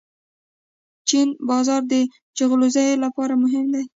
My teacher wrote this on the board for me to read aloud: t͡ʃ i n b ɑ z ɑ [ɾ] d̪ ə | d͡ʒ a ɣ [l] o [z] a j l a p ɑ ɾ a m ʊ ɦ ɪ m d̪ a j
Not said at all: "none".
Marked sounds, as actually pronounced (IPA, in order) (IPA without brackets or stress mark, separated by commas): ɾ, l, z